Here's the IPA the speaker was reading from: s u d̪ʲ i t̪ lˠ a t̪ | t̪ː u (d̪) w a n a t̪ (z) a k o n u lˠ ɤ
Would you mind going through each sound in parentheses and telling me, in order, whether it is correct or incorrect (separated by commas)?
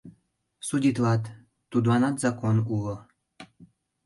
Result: correct, correct